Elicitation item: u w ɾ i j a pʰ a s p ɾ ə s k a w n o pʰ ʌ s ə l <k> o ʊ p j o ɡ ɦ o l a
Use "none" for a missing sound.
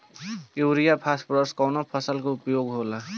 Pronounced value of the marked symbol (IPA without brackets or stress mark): k